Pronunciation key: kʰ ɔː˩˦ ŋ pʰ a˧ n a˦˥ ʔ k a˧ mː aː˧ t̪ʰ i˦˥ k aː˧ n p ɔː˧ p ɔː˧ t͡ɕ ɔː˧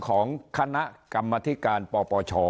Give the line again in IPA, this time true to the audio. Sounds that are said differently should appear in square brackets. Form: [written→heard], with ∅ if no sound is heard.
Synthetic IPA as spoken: kʰ ɔː˩˦ ŋ [pʰ→kʰ] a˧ n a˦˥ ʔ k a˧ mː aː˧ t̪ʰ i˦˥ k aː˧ n p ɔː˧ p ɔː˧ [t͡ɕ→t͡ɕʰ] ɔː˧